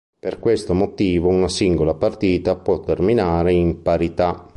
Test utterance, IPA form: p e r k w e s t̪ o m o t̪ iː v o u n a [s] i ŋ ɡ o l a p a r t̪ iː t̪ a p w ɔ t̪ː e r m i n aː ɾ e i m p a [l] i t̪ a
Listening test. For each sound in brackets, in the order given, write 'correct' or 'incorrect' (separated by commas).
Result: correct, incorrect